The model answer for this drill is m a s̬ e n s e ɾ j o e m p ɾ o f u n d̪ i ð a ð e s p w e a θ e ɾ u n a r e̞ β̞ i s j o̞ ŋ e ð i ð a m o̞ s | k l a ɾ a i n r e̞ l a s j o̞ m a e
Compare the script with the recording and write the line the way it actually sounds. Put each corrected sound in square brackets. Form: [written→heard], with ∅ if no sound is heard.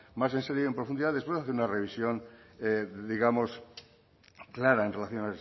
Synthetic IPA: m a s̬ e n s e ɾ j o e m p ɾ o f u n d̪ i ð a ð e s p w e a θ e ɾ u n a r e̞ β̞ i s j o̞ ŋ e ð i [ð→ɣ] a m o̞ s | k l a ɾ a [i→e] n r e̞ l a [s→θ] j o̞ [m→n] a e